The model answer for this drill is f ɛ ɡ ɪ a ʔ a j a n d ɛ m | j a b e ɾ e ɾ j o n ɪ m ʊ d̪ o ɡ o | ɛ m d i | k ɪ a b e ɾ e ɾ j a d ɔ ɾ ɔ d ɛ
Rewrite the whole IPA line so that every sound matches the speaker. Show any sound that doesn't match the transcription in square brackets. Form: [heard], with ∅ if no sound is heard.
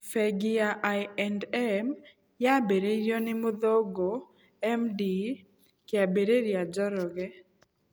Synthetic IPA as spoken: f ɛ ɡ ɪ a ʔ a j [ɛ] n d ɛ m | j a b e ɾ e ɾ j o n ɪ m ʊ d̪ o ɡ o | ɛ m d i | k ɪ a b e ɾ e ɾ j a [d͡ʒ] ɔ ɾ ɔ [ɡ] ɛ